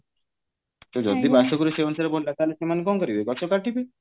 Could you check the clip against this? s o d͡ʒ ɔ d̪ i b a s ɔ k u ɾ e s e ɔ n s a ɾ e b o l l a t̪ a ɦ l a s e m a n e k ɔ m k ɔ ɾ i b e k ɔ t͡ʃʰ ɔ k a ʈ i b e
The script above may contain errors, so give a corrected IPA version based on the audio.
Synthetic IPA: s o d͡ʒ ɔ d̪ i b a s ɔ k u ɾ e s e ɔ n s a ɾ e b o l l a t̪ a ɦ l e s e m a n e k ɔ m k ɔ ɾ i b e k ɔ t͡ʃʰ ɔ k a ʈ i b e